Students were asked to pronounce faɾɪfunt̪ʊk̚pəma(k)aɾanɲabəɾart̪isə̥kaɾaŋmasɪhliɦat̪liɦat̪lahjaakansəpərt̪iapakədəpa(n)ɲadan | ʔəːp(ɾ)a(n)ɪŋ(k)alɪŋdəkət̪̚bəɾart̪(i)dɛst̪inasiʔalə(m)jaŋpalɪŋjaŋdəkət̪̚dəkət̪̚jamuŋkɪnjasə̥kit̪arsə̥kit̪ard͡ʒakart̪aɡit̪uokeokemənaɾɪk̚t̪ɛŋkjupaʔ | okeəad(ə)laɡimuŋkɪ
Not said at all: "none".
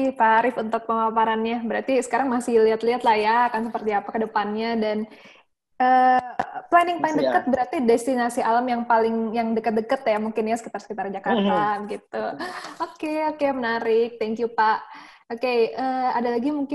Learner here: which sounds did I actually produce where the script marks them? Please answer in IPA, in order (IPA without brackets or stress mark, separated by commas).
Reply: p, n, l, n, p, i, m, a